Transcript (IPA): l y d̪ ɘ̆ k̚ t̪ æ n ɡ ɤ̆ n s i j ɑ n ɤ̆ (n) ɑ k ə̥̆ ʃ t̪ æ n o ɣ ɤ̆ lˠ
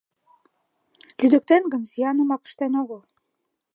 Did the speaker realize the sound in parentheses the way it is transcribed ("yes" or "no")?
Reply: no